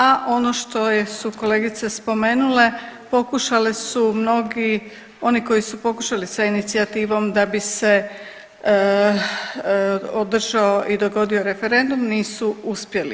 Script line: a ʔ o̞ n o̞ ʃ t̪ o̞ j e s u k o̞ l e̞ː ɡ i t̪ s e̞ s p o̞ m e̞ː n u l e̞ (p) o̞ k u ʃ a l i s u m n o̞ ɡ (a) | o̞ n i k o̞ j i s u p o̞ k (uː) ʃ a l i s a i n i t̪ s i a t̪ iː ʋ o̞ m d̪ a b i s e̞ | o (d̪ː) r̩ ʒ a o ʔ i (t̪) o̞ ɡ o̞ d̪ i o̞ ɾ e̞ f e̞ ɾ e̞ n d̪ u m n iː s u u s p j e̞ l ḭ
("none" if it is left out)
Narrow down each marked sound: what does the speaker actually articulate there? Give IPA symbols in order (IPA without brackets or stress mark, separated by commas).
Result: p, i, u, d̪, d̪